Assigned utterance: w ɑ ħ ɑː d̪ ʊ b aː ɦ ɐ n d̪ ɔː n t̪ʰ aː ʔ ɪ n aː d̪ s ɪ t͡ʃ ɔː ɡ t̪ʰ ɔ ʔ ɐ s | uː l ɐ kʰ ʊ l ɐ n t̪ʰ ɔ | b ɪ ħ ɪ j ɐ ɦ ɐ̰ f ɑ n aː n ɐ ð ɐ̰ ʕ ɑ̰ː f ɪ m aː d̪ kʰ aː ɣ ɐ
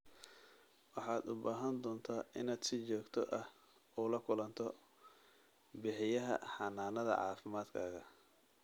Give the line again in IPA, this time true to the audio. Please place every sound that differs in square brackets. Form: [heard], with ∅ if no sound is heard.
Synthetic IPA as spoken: w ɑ ħ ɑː d̪ ʊ b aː ɦ ɐ n d̪ ɔː n t̪ʰ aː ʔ ɪ n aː d̪ s ɪ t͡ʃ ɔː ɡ t̪ʰ ɔ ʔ ɐ [h] | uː l ɐ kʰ ʊ l ɐ n t̪ʰ ɔ | b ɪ ħ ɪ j ɐ ɦ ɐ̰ [ħ] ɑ n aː n ɐ ð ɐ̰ ʕ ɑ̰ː f ɪ m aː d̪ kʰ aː ɣ ɐ